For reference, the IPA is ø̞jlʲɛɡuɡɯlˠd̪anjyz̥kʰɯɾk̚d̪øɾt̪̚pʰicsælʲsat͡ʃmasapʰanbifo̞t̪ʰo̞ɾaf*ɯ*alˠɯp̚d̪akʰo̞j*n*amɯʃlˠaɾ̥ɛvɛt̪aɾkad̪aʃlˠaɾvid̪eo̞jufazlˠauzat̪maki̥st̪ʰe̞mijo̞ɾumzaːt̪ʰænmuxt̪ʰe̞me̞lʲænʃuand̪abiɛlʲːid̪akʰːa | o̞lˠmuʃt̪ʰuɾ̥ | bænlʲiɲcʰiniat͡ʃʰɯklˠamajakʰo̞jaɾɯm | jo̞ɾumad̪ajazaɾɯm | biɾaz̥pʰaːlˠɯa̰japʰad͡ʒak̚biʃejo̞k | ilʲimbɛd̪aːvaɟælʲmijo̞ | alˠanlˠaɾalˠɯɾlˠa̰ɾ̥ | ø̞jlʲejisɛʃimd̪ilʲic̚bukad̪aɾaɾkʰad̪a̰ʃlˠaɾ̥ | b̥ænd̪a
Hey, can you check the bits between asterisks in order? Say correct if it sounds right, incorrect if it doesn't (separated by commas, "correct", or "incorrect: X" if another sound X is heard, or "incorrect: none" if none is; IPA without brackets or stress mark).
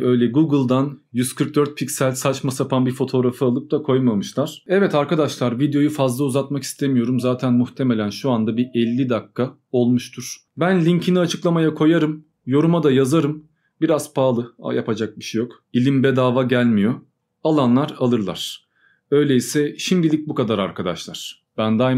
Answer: correct, incorrect: m